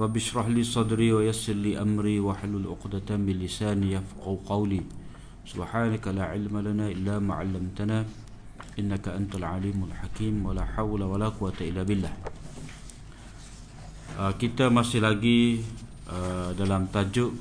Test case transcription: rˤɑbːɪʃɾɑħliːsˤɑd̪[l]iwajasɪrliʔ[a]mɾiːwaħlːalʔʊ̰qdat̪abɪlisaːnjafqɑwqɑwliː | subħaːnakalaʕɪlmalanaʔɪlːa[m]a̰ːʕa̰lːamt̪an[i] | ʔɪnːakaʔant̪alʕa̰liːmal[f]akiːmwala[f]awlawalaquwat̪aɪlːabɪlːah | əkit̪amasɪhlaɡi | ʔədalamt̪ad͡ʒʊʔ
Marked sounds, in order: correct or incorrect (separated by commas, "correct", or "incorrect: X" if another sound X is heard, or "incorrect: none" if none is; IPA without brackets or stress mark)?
incorrect: ɾ, correct, correct, incorrect: a, incorrect: ħ, incorrect: ħ